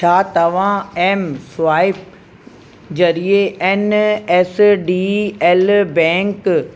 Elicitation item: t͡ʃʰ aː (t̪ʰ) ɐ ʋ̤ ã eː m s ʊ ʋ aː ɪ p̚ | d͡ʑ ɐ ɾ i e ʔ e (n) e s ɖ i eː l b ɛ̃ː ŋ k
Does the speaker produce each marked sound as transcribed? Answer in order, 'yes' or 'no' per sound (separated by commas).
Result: no, yes